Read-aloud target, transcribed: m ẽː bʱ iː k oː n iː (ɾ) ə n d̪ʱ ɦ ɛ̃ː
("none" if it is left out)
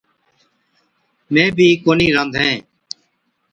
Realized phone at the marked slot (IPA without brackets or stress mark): ɾ